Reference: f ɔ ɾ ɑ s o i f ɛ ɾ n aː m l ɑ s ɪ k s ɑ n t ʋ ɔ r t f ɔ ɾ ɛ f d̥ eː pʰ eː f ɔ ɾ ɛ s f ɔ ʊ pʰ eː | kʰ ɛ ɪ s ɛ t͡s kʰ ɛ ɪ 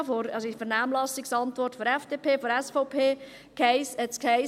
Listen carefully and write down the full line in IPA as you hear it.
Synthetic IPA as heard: f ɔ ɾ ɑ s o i f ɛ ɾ n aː m l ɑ s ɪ k s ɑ n t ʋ ɔ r t f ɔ ɾ ɛ f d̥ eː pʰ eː f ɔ ɾ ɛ s f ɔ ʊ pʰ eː | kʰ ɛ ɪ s ɛ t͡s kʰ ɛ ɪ